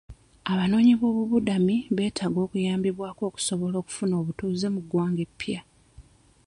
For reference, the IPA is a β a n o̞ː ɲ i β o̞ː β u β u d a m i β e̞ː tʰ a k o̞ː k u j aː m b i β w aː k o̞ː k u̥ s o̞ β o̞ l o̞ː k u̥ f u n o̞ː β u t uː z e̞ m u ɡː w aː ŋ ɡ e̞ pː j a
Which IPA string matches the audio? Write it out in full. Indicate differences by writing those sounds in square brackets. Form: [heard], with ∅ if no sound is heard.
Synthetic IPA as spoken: a β a n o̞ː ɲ i β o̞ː β u β u d a m i β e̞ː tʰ a [ɡ] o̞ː k u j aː m b i β w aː k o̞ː k u̥ s o̞ β o̞ l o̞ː k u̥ f u n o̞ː β u t uː z e̞ m u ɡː w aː ŋ ɡ e̞ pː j a